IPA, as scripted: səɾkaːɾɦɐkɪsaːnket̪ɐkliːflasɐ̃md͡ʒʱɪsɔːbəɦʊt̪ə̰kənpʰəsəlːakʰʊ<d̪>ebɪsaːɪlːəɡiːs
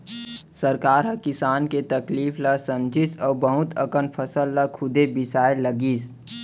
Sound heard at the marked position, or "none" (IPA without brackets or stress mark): d̪